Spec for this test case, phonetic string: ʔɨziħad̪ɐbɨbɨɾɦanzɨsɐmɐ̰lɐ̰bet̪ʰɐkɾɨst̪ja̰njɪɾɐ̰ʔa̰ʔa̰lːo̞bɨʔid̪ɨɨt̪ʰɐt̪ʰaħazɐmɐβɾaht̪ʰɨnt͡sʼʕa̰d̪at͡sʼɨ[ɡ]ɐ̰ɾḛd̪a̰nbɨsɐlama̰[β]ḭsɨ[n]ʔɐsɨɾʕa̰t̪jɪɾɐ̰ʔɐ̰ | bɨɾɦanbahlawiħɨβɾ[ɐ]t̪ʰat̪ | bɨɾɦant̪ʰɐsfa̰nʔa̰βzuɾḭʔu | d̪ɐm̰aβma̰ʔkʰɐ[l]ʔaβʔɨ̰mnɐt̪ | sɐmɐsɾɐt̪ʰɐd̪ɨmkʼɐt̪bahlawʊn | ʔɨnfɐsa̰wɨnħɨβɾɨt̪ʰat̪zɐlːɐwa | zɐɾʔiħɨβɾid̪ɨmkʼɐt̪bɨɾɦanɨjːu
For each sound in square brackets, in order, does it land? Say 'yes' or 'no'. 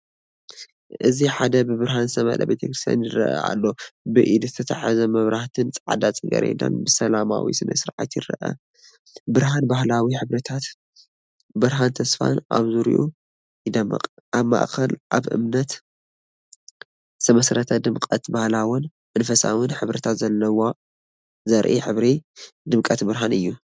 yes, no, yes, yes, yes

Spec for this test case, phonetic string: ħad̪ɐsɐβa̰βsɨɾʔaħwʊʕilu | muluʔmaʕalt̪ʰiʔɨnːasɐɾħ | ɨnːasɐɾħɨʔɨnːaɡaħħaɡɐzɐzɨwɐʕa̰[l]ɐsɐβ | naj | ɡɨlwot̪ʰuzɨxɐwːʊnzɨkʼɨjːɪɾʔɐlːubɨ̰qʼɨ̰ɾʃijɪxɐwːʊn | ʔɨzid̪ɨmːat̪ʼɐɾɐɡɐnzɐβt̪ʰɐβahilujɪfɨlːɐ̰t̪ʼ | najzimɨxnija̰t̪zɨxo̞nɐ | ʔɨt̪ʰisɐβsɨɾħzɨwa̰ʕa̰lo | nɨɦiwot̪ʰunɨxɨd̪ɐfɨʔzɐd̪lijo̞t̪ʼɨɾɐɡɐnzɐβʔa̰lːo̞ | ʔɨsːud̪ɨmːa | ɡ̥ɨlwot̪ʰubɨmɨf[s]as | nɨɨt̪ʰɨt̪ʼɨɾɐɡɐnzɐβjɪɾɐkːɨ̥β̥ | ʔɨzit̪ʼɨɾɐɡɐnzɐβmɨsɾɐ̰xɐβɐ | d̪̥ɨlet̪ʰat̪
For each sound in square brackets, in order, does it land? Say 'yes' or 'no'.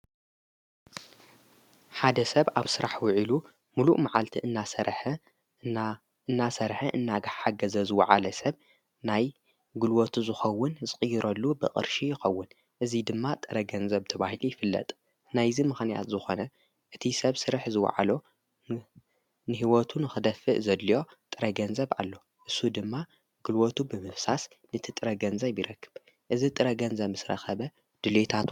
yes, yes

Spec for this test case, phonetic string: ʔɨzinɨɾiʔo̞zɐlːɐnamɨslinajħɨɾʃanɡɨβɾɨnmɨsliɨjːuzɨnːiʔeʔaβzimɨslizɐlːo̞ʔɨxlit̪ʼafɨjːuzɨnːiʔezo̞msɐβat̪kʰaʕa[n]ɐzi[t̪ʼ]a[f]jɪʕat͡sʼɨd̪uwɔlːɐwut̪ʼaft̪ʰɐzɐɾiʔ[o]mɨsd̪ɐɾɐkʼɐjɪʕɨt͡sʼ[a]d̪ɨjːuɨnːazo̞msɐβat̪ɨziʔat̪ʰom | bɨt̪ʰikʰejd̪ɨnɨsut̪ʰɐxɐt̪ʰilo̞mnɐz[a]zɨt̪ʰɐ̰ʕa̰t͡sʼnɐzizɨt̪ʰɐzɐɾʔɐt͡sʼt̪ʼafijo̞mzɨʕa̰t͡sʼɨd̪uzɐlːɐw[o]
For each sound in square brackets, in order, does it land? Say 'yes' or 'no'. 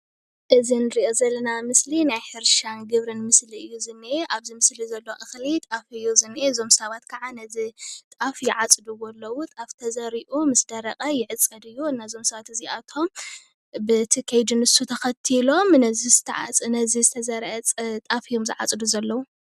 yes, yes, yes, no, no, no, no

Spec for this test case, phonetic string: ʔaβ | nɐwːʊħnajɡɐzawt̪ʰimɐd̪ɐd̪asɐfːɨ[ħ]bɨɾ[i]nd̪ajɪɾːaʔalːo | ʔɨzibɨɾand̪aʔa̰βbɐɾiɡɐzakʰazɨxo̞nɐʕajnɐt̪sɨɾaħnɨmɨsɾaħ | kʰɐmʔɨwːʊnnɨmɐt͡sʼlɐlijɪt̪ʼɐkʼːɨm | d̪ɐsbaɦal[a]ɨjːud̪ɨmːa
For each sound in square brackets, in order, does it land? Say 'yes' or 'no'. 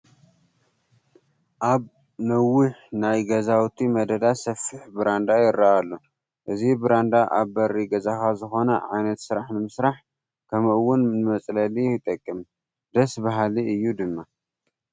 yes, no, no

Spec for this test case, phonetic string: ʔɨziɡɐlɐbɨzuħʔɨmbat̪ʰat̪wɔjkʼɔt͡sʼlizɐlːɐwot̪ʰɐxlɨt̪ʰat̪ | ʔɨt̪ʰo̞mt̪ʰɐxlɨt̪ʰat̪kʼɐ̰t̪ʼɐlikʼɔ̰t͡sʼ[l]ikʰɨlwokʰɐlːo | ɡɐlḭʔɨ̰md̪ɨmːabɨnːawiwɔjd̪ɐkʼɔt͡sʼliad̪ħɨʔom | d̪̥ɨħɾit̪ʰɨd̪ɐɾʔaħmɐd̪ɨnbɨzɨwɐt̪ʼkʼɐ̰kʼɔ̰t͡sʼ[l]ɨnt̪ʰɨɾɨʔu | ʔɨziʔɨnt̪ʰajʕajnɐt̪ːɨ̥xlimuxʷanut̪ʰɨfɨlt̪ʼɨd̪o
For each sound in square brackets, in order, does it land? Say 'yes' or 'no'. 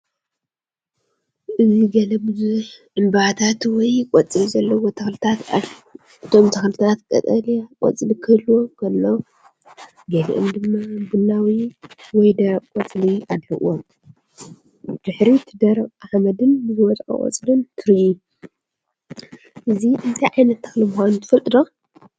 yes, yes

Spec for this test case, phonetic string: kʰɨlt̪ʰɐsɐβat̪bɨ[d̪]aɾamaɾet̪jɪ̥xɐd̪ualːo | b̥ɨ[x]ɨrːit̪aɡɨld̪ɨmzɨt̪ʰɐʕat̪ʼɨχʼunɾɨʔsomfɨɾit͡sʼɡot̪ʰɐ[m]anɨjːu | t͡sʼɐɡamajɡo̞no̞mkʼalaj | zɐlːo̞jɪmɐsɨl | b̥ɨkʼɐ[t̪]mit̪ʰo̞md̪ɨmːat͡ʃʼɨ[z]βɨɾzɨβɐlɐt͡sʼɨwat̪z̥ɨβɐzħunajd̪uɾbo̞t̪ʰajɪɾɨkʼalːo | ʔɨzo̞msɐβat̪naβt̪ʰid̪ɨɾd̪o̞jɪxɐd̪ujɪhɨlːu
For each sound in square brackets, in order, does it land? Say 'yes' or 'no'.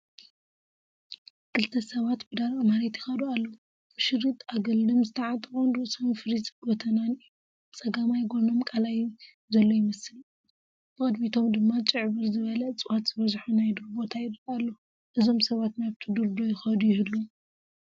yes, no, no, no, no

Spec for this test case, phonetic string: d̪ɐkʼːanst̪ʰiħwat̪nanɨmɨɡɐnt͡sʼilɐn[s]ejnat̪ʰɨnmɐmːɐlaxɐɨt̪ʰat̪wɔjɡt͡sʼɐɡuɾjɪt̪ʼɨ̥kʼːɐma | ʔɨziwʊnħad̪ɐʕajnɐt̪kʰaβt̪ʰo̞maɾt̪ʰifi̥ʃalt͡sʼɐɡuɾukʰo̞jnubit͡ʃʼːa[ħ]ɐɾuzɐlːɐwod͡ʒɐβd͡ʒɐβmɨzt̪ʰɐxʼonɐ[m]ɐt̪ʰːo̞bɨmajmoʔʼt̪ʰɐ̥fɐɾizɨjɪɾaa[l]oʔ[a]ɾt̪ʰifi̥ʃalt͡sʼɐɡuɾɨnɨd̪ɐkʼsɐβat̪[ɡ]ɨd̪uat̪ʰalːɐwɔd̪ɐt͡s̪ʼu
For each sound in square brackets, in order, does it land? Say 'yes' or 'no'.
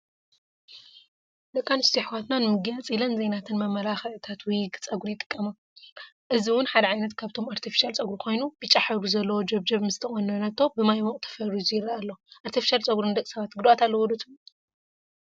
no, yes, no, no, yes, yes

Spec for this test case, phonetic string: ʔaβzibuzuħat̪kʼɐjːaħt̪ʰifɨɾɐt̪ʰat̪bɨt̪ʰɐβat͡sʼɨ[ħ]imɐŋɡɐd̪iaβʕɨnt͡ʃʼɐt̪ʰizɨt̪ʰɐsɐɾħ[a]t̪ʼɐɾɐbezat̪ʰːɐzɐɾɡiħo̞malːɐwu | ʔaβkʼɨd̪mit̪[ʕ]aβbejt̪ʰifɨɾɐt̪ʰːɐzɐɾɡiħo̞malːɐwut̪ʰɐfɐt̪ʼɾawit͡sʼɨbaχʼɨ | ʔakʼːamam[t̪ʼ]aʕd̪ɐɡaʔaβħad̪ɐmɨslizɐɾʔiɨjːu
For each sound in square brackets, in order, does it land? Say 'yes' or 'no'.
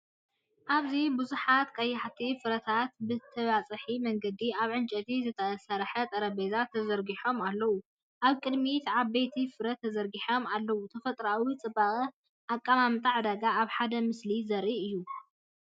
yes, no, yes, yes

